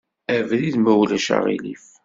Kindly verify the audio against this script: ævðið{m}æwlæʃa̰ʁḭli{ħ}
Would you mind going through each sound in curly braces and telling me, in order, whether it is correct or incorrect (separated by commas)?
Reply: correct, incorrect